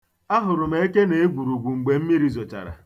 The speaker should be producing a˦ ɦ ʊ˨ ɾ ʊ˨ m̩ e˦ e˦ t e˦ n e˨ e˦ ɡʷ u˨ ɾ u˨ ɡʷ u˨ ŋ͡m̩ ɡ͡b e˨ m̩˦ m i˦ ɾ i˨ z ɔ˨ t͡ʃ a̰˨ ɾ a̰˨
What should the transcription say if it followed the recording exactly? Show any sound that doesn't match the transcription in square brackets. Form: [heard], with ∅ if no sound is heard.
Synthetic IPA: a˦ ɦ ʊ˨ ɾ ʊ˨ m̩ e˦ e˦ [k] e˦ n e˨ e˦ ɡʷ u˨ ɾ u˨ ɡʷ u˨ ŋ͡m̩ ɡ͡b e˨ m̩˦ m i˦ ɾ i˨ z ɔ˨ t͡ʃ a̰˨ ɾ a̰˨